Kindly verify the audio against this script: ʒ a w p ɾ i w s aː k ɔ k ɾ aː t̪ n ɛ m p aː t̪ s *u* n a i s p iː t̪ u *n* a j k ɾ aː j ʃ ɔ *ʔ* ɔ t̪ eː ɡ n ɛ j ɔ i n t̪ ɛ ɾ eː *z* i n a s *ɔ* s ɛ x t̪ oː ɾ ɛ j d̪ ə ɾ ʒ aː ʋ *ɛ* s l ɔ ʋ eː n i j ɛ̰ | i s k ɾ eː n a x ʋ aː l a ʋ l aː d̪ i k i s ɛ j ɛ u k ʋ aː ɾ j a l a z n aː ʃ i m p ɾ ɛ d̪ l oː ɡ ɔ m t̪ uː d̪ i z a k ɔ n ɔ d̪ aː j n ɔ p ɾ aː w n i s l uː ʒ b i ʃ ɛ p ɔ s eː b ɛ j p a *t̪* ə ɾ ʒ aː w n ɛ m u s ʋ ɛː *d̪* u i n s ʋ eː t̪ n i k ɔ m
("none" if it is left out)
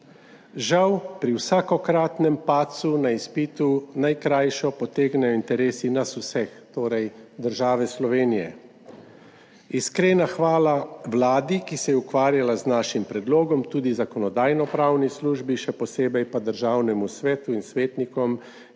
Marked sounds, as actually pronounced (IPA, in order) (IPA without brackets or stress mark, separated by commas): u, n, p, s, u, ɛ, d̪, t̪